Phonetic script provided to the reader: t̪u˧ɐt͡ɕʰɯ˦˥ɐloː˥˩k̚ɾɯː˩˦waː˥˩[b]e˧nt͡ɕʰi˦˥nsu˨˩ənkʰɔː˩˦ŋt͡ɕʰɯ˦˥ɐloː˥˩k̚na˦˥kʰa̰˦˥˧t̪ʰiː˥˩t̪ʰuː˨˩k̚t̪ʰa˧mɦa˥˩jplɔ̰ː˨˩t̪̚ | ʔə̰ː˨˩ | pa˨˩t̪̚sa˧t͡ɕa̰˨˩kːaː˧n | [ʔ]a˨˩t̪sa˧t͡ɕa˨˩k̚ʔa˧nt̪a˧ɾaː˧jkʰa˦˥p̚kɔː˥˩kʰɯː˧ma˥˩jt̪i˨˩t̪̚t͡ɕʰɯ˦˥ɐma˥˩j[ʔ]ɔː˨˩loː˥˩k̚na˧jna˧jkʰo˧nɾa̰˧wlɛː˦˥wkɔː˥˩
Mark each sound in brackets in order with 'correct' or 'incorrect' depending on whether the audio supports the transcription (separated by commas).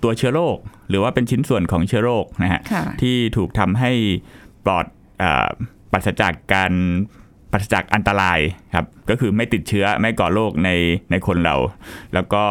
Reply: incorrect, incorrect, incorrect